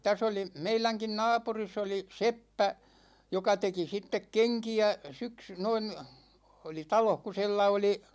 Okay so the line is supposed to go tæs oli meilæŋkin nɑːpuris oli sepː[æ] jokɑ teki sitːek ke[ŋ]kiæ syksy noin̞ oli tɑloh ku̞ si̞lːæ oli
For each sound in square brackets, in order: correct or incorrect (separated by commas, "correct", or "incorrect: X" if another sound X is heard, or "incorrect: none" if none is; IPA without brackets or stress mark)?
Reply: correct, correct